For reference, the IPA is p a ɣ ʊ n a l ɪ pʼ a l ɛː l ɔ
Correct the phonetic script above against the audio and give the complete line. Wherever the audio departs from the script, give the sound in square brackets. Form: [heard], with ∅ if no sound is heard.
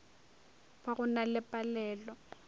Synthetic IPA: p a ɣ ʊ n a l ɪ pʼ a l ɛː l ɔ